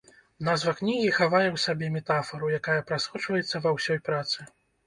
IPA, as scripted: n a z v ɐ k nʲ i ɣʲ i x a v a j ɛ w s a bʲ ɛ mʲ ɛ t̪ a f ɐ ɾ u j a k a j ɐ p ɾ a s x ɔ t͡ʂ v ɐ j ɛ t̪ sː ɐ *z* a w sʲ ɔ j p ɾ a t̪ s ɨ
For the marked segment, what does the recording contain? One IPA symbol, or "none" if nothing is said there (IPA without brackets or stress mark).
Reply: v